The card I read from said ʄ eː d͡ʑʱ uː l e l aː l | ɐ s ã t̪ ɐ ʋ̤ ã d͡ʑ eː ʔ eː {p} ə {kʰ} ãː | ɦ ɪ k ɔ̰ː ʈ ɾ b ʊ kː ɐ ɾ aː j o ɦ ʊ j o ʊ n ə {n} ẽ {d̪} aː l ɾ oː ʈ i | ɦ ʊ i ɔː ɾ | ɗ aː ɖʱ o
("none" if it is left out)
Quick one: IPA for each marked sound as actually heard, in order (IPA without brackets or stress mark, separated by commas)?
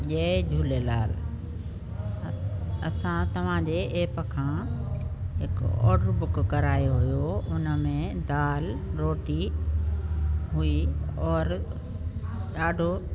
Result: p, kʰ, m, d̪